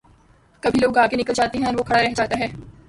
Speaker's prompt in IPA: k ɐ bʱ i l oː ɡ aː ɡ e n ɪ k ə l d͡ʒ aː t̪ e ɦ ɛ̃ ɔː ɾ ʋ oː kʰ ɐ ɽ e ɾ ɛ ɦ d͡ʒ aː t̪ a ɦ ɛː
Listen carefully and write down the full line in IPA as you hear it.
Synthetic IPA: k ɐ bʱ i l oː ɡ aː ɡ e n ɪ k ə l d͡ʒ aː t̪ e ɦ ɛ̃ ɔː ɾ ʋ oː kʰ ɐ ɽ a ɾ ɛ ɦ d͡ʒ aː t̪ a ɦ ɛː